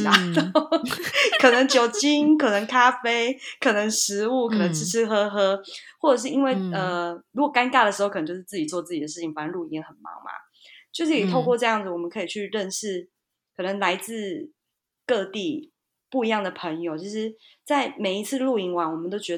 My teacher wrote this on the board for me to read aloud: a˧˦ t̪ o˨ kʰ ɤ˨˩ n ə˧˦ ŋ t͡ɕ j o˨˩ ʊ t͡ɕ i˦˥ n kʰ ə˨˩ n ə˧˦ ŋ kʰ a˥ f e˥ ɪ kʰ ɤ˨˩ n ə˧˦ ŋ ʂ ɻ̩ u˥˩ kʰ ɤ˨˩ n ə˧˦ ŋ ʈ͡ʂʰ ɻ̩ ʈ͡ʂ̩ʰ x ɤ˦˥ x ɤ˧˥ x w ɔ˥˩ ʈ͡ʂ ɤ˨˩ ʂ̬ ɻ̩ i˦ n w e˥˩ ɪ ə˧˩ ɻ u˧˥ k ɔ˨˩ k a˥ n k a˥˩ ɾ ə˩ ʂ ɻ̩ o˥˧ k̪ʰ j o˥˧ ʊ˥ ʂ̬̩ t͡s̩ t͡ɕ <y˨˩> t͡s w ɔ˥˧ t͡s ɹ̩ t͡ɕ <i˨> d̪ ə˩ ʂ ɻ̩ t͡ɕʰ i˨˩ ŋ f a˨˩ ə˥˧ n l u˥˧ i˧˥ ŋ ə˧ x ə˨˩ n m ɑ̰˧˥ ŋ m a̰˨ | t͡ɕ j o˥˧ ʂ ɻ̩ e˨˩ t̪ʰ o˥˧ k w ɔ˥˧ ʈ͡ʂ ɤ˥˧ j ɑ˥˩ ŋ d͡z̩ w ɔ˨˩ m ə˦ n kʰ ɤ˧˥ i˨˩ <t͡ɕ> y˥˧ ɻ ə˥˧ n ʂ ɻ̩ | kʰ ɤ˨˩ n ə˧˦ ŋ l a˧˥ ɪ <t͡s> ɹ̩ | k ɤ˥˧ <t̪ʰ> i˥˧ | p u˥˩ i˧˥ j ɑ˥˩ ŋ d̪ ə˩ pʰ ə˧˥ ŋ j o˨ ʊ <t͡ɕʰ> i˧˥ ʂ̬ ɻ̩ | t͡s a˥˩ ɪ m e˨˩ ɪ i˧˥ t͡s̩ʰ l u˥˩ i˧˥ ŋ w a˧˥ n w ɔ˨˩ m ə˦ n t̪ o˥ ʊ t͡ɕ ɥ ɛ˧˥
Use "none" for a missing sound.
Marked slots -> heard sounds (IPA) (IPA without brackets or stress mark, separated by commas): i˨˩, i˨, t͡ɕʰ, t͡s, t̪, t͡ɕʰ